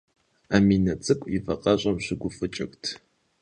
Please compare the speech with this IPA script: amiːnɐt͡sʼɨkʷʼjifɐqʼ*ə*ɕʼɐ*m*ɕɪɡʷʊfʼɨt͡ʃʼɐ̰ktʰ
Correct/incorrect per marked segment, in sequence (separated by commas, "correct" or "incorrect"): incorrect, correct